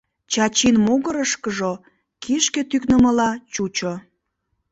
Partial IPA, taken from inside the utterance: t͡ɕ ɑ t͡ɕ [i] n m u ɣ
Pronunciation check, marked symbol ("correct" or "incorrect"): correct